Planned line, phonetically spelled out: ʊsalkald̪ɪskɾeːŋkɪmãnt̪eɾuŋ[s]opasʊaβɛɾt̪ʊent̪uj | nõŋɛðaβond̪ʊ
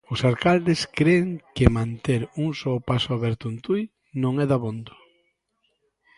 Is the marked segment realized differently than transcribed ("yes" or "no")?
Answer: no